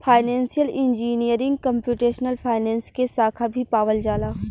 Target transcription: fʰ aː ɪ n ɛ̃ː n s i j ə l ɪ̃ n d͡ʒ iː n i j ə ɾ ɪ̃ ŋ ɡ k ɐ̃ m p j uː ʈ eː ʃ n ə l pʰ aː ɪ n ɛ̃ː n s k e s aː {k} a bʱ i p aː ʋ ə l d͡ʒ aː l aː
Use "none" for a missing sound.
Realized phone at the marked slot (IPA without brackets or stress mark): kʰ